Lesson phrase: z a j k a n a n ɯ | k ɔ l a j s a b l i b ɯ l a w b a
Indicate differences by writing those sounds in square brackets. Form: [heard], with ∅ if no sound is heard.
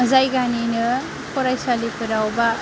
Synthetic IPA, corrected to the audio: z a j [ɡ] a n [i] n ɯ | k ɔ [ɾ] a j s a [∅] l i [p] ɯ [ɾ] a w b a

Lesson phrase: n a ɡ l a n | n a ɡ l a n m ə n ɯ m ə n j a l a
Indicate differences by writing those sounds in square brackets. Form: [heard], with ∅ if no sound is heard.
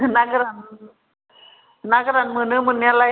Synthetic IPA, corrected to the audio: n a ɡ [ɾ] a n | n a ɡ [ɾ] a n m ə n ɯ m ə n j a l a

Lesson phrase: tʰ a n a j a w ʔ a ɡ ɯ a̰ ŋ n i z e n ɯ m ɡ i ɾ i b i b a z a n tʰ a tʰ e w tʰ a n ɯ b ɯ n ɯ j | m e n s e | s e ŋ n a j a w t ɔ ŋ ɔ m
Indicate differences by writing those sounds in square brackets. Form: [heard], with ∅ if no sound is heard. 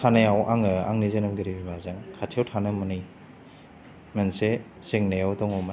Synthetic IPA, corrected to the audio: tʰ a n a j a w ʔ a [ŋ] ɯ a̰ ŋ n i z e n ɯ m ɡ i ɾ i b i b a z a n [kʰ] a tʰ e w tʰ a n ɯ [m] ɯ n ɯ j | m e n s e | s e ŋ n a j a w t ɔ ŋ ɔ m

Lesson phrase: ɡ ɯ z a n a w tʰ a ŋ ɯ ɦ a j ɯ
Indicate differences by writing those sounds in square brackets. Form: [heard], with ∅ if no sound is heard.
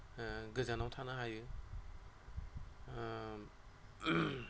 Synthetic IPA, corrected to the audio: ɡ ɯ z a n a w tʰ a [n] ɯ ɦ a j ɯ

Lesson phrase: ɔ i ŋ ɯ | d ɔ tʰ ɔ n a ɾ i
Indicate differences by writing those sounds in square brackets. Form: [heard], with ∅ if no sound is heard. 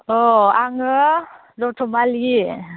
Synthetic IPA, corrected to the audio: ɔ [a] ŋ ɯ | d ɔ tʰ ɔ [m] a [l] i

